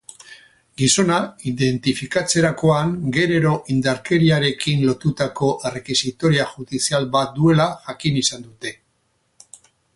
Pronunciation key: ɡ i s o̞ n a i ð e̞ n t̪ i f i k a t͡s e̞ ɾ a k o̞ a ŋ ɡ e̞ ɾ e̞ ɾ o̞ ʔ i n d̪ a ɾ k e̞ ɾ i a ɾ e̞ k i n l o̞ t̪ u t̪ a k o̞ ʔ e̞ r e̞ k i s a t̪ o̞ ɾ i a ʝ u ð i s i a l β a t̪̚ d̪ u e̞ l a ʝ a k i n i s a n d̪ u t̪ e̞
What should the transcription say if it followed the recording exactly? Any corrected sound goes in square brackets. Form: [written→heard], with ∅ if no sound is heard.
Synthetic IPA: ɡ i s o̞ n a i ð e̞ n t̪ i f i k a t͡s e̞ ɾ a k o̞ a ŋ ɡ e̞ ɾ e̞ ɾ o̞ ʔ i n d̪ a ɾ k e̞ ɾ i a ɾ e̞ k i n l o̞ t̪ u t̪ a k o̞ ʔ e̞ r e̞ k i s [a→i] t̪ o̞ ɾ i a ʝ u ð i s i a l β a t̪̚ d̪ u e̞ l a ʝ a k i n i s a n d̪ u t̪ e̞